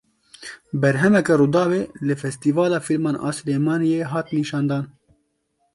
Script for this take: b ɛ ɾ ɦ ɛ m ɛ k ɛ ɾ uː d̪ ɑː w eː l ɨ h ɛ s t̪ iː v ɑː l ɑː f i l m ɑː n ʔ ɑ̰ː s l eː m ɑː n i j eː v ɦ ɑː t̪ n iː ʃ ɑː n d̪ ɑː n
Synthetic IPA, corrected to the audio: b ɛ ɾ ɦ ɛ m ɛ k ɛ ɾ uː d̪ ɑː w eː l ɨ f ɛ s t̪ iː v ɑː l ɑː f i l m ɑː n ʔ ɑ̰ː s l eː m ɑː n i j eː ɦ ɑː t̪ n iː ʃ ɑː n d̪ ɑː n